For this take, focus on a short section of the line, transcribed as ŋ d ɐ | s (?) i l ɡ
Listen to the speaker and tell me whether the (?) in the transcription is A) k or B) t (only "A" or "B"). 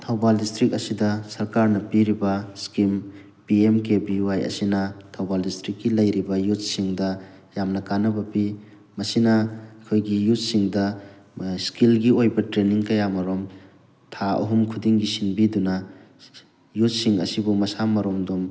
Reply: A